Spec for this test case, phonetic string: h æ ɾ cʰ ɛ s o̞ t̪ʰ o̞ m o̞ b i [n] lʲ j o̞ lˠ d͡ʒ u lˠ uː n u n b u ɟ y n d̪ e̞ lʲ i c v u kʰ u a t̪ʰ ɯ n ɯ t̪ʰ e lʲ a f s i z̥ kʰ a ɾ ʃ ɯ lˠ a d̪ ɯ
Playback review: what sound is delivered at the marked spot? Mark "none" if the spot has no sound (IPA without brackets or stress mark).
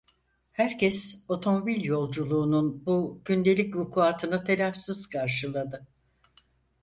none